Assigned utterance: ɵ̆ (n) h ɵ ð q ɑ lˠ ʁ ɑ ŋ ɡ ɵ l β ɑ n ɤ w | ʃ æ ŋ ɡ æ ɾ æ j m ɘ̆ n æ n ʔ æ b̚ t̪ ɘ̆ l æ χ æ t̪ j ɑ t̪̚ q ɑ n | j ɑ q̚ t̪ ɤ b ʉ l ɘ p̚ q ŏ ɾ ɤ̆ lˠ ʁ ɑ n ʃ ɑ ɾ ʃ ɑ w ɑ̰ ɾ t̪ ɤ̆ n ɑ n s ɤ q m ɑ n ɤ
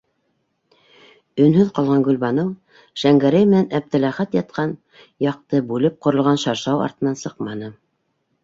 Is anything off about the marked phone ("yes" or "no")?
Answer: no